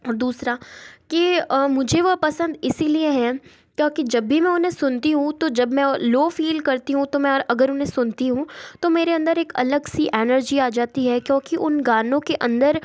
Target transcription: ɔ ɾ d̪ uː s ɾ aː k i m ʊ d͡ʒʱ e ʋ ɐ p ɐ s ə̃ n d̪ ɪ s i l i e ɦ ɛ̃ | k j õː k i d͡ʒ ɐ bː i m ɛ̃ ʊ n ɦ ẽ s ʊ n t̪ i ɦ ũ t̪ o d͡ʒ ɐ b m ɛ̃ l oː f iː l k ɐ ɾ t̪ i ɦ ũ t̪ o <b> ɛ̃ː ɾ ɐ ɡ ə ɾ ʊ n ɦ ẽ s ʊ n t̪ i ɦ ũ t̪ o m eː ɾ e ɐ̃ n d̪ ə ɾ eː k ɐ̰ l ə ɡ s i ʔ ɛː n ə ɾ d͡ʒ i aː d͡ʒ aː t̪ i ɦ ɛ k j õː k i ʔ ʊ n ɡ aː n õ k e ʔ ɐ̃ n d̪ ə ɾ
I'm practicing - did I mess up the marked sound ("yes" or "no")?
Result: yes